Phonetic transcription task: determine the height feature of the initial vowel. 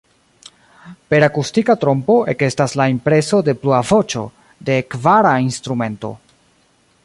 mid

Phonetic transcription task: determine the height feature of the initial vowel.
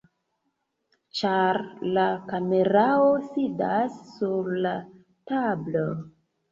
low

